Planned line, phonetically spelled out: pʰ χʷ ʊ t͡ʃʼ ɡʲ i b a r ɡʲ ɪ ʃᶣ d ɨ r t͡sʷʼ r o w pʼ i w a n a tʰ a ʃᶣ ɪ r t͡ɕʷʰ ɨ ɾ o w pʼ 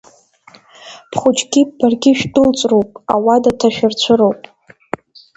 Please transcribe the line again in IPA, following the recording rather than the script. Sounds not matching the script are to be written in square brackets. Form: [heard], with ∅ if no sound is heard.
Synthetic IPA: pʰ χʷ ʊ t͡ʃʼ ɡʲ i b a r ɡʲ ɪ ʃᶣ d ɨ [l] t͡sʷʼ r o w pʼ [a] w a [d] a tʰ a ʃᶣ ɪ r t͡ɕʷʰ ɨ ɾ o w pʼ